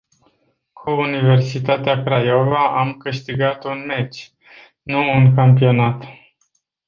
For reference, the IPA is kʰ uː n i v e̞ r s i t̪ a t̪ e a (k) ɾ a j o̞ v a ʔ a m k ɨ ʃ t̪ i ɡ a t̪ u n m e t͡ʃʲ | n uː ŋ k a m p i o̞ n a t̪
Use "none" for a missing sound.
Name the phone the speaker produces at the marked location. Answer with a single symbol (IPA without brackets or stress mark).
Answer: k